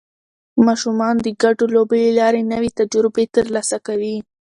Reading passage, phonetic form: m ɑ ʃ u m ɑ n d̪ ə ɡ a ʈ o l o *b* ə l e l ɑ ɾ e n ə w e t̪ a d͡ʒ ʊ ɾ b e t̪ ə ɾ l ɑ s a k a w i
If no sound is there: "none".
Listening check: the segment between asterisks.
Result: b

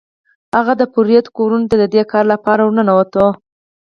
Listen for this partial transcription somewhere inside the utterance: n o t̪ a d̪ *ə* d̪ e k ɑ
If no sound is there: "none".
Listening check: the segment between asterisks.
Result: ə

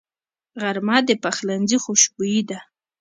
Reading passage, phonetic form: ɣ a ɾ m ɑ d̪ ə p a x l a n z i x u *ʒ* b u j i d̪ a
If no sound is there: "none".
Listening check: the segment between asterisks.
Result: ʃ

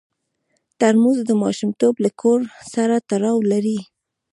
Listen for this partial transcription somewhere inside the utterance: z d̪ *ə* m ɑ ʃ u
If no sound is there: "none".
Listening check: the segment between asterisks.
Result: ə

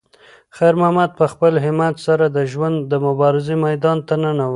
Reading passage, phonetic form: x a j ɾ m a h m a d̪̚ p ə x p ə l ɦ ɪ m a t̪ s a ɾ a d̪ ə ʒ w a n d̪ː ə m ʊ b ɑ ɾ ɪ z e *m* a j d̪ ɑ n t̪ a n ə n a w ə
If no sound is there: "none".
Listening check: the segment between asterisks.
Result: m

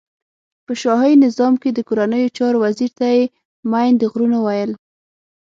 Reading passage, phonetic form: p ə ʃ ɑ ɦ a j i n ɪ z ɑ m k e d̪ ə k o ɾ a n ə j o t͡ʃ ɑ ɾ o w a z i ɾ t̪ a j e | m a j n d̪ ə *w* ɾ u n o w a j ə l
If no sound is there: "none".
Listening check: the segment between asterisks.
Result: ɣ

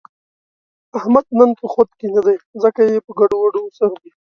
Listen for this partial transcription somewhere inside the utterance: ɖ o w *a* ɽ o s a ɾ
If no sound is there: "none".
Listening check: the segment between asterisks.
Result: a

